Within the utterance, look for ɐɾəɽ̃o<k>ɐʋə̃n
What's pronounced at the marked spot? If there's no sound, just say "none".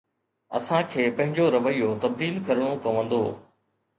k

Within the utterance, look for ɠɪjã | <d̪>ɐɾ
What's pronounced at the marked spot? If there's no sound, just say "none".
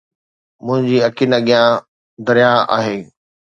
d̪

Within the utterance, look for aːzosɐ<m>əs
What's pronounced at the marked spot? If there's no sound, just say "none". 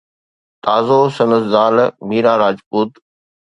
n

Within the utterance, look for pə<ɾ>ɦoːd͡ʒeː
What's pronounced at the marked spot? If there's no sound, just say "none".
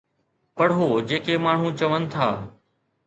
ɽ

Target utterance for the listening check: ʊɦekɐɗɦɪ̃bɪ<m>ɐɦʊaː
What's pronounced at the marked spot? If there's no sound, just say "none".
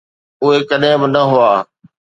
n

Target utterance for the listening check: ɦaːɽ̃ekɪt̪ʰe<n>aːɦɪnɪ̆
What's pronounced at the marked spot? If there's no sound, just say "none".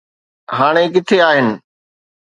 none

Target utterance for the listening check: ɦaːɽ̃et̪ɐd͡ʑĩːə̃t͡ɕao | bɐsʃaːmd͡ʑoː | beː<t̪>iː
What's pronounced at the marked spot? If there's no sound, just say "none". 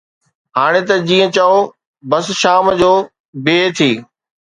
t̪ʰ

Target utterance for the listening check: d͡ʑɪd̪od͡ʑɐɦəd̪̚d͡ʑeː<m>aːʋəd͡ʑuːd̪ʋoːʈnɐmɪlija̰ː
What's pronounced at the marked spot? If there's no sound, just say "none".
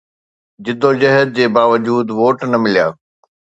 b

